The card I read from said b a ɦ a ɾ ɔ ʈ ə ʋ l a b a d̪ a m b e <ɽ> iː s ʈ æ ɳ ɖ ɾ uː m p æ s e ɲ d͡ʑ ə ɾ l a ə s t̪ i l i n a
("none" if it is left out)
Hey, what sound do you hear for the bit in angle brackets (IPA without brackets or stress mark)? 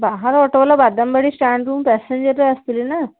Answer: ɽ